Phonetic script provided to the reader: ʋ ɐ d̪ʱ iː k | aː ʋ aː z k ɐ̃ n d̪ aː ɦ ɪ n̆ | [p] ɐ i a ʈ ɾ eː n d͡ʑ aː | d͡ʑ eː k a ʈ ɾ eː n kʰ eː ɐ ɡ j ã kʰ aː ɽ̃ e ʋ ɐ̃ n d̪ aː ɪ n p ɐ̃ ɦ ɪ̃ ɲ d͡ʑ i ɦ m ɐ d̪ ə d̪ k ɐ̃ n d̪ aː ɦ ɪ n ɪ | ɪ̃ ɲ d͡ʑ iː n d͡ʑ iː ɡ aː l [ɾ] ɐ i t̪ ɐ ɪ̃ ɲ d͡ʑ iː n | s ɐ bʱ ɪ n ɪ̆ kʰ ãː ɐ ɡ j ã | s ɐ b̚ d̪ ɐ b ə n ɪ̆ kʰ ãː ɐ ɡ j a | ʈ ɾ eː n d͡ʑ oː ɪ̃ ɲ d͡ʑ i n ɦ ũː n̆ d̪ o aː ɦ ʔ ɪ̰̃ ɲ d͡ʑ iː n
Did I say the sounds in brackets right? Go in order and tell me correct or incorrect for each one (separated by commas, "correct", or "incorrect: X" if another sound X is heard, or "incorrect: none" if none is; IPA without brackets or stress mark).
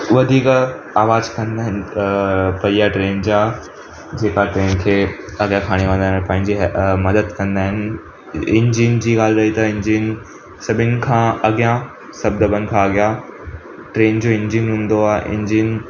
correct, correct